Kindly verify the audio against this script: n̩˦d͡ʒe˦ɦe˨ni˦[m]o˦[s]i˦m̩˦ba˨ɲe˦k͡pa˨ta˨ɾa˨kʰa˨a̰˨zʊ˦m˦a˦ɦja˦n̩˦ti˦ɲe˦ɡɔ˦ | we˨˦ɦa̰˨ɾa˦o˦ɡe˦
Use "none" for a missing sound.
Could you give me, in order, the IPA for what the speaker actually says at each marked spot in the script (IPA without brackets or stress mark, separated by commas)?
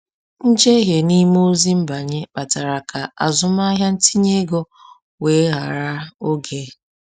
m, z